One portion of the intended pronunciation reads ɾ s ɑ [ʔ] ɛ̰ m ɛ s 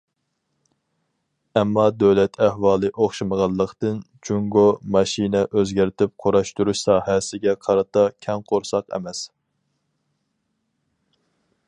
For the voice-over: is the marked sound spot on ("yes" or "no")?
no